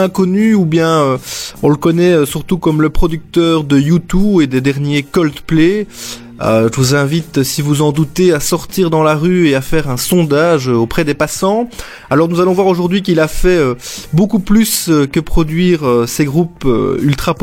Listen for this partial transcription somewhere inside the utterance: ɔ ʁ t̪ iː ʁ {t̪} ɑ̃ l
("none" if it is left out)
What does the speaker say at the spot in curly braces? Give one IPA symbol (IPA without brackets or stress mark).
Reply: d̪